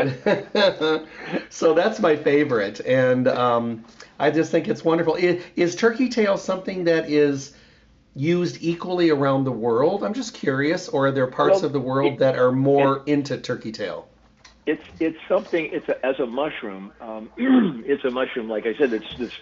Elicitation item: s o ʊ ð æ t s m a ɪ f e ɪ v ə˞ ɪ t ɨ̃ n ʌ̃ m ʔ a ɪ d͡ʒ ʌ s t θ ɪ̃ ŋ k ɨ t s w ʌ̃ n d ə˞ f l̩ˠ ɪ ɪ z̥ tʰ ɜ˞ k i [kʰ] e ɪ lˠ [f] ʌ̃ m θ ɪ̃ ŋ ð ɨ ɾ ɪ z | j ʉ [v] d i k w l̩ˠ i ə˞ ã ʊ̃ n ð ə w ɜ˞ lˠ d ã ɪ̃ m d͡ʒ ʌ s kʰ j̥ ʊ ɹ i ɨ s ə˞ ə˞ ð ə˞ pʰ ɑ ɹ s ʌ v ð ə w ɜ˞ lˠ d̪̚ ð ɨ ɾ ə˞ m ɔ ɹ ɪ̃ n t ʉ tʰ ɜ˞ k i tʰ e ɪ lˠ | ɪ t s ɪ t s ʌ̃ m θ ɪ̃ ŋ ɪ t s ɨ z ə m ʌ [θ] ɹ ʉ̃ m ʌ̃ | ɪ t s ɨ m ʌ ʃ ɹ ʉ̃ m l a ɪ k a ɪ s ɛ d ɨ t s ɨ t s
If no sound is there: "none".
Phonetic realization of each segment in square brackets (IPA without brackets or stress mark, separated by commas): tʰ, s, z, ʃ